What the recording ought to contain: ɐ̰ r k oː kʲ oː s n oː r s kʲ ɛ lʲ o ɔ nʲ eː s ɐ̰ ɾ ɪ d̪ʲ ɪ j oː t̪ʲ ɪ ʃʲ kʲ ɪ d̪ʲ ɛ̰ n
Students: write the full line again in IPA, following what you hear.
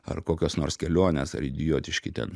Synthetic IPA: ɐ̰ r k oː kʲ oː s n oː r s kʲ ɛ lʲ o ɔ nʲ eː s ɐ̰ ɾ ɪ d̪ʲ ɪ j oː t̪ʲ ɪ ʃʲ kʲ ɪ t̪ʲ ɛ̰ n